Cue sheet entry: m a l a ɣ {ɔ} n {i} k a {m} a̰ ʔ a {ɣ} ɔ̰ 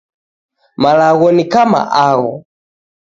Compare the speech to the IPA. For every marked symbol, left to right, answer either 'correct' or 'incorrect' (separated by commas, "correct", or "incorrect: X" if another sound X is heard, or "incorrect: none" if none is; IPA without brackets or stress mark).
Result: correct, correct, correct, correct